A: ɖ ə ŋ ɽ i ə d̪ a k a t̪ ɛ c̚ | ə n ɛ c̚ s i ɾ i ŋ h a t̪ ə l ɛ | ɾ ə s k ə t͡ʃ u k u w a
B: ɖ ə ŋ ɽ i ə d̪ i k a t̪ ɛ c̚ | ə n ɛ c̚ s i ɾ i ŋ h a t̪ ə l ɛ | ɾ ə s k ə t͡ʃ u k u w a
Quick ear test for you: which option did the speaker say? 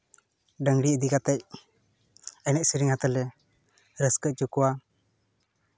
B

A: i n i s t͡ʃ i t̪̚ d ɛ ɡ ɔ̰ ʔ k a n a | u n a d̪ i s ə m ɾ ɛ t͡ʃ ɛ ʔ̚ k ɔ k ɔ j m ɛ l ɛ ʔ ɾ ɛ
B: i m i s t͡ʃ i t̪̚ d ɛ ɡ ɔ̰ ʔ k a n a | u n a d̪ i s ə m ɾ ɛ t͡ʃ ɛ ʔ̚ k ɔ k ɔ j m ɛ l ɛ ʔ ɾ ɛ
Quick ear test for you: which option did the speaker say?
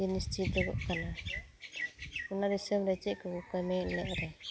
A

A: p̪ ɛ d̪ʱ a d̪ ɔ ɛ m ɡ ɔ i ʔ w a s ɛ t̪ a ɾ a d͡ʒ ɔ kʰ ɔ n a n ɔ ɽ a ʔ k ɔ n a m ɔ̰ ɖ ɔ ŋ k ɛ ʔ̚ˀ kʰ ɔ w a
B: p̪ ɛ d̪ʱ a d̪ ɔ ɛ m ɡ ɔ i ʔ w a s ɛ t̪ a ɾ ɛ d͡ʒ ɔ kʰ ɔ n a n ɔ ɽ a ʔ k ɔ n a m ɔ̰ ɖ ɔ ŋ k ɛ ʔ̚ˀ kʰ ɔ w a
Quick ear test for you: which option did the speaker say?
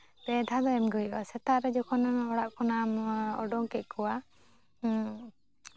B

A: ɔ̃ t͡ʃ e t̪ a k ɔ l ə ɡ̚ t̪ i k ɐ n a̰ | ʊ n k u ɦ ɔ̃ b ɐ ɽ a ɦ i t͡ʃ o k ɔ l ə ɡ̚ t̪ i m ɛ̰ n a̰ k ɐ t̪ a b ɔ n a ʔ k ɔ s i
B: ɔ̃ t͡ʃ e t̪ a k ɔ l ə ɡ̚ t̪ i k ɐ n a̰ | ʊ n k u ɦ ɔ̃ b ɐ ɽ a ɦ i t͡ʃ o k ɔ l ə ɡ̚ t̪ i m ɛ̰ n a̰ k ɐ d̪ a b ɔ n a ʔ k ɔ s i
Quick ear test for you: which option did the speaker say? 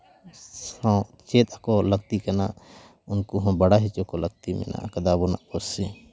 B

